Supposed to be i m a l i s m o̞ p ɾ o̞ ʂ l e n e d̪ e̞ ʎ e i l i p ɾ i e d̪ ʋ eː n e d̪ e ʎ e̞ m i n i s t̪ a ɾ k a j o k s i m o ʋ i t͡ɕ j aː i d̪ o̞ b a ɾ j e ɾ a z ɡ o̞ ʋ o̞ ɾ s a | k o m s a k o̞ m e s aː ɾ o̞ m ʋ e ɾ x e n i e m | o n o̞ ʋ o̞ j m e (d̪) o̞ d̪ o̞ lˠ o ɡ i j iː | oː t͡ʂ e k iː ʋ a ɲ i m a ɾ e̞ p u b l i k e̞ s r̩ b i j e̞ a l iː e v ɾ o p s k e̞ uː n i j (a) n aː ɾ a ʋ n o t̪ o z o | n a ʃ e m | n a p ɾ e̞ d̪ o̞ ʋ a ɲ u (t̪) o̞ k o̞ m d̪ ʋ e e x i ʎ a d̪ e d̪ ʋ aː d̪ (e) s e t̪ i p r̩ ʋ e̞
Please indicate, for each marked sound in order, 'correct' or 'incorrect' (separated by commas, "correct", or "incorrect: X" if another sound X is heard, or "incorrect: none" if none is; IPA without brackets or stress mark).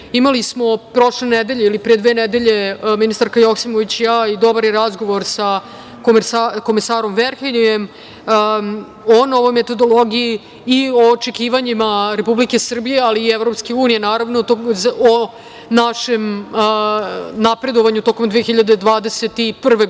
incorrect: t̪, incorrect: e, correct, correct